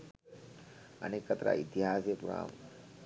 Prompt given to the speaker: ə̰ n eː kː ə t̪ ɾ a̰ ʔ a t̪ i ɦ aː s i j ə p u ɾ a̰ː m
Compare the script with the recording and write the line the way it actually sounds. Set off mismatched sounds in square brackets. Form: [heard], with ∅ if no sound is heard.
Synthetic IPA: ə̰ n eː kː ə t̪ ɾ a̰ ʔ [i] t̪ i ɦ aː s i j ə p u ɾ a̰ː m